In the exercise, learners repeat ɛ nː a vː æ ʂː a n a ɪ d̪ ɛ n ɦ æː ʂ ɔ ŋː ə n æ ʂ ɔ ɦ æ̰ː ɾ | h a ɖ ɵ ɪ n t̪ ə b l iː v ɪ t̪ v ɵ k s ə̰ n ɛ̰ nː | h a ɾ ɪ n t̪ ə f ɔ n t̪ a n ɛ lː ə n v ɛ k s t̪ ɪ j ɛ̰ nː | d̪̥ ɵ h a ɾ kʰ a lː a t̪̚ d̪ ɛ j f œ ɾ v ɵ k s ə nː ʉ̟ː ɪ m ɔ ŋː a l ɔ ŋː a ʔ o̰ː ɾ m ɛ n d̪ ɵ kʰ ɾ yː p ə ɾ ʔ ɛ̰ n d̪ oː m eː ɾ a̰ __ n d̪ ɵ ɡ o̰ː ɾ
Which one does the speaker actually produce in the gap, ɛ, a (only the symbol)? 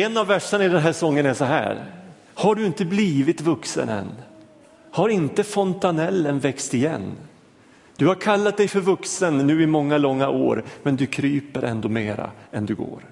ɛ